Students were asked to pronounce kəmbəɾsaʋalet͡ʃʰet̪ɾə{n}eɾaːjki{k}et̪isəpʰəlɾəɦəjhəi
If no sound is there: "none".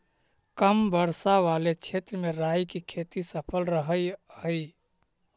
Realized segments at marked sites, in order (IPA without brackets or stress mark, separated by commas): m, kʰ